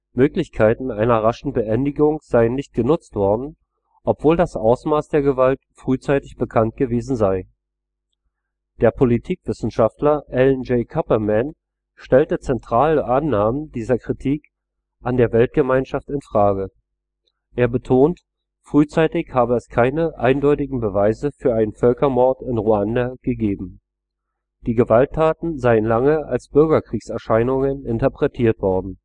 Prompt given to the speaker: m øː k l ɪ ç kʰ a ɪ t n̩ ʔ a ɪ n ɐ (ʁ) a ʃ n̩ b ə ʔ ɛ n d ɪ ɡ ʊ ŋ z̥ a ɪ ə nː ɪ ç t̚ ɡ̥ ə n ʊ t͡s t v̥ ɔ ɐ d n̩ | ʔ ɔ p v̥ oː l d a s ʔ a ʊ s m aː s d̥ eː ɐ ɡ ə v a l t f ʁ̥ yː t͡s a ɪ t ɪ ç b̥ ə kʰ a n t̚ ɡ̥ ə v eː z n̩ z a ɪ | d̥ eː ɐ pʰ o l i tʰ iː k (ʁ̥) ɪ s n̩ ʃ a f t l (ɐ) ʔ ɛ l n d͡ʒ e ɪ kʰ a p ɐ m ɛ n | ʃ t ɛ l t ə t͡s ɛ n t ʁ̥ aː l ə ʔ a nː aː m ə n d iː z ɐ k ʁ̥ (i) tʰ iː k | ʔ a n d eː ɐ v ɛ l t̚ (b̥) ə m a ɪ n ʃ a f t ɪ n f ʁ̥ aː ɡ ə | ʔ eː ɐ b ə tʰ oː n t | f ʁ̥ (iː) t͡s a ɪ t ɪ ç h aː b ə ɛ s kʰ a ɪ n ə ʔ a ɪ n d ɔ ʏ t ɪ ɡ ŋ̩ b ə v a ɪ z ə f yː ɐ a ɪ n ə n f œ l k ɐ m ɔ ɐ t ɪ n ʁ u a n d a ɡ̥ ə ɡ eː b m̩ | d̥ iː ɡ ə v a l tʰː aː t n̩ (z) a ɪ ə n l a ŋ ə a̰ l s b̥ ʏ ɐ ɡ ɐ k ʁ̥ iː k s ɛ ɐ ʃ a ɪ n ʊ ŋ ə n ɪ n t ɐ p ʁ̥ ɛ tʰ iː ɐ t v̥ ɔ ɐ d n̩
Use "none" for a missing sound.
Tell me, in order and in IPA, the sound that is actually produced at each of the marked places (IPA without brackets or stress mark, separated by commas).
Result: ʁ, v̥, ɐ, i, ɡ̥, yː, z